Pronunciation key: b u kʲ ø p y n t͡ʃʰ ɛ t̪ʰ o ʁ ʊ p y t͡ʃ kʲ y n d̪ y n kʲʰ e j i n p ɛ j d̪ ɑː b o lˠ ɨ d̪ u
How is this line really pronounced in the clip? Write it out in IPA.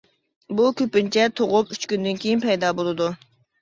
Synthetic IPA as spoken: b u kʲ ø p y n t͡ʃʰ ɛ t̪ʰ o ʁ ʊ p y t͡ʃ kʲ y n d̪ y n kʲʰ e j i n p ɛ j d̪ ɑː b o lˠ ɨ d̪ u